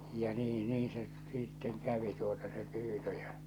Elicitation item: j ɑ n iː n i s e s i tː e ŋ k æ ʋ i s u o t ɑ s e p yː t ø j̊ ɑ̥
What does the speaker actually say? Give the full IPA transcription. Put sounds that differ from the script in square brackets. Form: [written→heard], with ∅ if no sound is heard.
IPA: j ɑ n iː n [i→iː] s e s i tː e ŋ k æ ʋ i [s→t] u o t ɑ s e p yː t ø j̊ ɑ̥